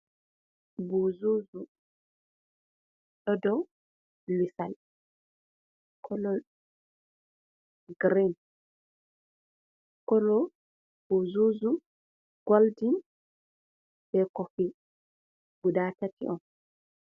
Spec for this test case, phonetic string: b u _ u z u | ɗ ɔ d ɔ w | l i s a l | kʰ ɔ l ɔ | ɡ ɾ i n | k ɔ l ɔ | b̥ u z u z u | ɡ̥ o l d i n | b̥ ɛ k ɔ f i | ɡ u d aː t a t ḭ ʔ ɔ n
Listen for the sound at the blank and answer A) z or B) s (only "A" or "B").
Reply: A